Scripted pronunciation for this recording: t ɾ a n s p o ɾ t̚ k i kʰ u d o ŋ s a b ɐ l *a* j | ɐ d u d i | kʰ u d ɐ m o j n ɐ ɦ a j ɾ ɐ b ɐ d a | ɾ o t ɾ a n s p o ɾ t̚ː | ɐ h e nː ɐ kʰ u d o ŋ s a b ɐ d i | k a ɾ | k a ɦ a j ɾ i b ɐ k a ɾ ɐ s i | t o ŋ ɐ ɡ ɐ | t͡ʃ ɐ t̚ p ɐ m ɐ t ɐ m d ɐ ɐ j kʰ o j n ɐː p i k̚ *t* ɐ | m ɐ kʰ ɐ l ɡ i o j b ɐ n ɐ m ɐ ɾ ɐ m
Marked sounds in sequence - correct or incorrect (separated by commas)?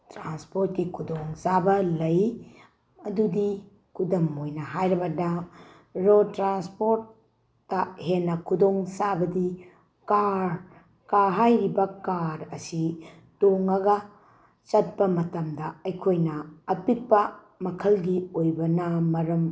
incorrect, incorrect